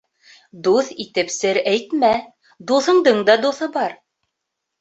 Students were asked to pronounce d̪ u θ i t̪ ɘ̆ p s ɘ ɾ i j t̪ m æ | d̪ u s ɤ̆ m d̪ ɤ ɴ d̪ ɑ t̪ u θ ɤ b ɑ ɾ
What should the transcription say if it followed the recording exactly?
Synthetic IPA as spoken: d̪ u θ i t̪ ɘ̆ p s ɘ ɾ æ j t̪ m æ | d̪ u θ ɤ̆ ɴ d̪ ɤ ɴ d̪ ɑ d̪ u θ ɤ b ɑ ɾ